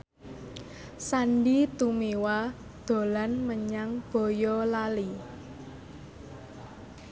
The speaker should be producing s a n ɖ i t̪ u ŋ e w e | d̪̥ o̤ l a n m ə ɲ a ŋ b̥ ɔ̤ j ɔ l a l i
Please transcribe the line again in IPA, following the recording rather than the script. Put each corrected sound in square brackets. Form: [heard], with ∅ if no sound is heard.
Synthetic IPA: s a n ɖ i t̪ u [m] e w [a] | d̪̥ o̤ l a n m ə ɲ a ŋ b̥ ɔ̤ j ɔ l a l i

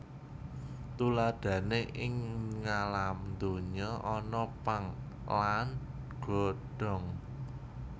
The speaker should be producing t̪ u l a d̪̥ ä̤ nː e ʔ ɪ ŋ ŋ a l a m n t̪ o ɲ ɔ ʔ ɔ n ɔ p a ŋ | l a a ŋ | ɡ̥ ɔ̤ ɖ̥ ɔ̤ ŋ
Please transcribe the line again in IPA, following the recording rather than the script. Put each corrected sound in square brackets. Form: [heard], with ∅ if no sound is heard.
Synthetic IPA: t̪ u l a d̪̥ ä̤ [n] e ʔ ɪ ŋ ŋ a l a m n [d̪] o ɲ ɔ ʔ ɔ n ɔ p a ŋ | l a a [n] | ɡ̥ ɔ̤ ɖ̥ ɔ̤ ŋ

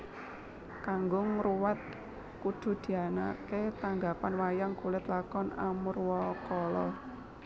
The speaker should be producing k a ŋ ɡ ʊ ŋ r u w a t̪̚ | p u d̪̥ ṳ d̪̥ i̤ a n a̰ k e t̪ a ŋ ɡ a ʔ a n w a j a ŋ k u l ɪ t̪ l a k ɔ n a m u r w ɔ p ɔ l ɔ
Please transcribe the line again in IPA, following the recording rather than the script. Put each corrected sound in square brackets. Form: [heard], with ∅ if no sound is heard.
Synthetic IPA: k a ŋ ɡ ʊ ŋ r u w a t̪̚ | [k] u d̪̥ ṳ d̪̥ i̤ a n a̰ k e t̪ a ŋ ɡ a [p] a n w a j a ŋ k u l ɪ t̪ l a k ɔ n a m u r w ɔ [k] ɔ l ɔ

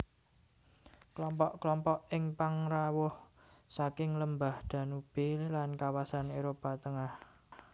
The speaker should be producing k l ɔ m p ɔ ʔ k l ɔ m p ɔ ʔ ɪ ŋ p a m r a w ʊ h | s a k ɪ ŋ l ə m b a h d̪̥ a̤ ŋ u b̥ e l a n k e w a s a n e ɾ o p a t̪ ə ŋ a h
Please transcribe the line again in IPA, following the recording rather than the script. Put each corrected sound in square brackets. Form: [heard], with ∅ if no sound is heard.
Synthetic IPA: k l ɔ m p ɔ ʔ k l ɔ m p ɔ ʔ ɪ ŋ p a [ŋ] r a w ʊ h | s a k ɪ ŋ l ə m b a h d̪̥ a̤ [n] u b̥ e l a n k [a] w a s a n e ɾ o p a t̪ ə ŋ a h

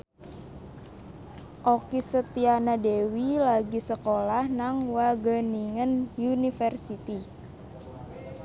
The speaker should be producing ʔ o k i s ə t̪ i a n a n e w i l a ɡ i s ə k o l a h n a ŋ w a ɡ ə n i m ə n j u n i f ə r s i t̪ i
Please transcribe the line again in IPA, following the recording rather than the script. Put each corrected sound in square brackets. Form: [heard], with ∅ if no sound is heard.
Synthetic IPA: ʔ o k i s ə t̪ i a n a [d] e w i l a ɡ i s ə k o l a h n a ŋ w a ɡ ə n i [ŋ] ə n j u n i f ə r s i t̪ i

